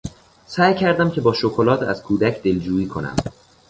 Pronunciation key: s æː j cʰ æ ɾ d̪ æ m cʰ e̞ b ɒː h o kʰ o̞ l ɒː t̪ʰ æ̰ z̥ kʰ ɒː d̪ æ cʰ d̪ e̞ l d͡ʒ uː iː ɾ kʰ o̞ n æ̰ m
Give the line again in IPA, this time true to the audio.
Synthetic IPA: s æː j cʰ æ ɾ d̪ æ m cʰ e̞ b ɒː ʃ o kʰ o̞ l ɒː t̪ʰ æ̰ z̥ kʰ uː d̪ æ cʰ d̪ e̞ l d͡ʒ uː iː kʰ o̞ n æ̰ m